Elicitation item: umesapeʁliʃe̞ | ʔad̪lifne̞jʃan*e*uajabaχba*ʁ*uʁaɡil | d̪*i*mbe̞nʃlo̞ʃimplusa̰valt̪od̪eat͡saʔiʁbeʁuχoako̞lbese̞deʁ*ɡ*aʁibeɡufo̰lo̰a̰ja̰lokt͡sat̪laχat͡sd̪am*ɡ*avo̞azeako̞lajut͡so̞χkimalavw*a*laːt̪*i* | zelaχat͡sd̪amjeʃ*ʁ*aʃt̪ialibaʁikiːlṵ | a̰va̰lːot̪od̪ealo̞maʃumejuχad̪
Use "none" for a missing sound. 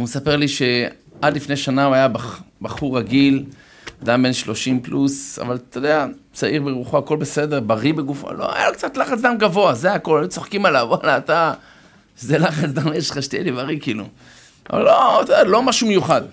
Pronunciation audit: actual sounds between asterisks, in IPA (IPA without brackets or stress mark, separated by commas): a, χ, a, b, ɡ, a, a, χ